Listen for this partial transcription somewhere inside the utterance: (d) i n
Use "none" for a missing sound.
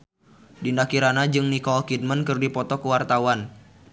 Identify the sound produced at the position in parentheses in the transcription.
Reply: d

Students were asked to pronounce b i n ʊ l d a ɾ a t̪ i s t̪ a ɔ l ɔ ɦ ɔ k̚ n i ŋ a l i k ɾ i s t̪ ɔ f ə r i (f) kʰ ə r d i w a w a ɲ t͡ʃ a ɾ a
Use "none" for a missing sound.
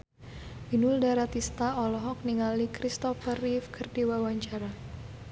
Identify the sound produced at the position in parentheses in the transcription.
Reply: f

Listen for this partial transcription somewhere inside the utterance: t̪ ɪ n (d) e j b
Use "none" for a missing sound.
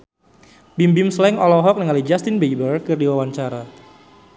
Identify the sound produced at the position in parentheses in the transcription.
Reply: b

